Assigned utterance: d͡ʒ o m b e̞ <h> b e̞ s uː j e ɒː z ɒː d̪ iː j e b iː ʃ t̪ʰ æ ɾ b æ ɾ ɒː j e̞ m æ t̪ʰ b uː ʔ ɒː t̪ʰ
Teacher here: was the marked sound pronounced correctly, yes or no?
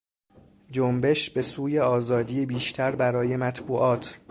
no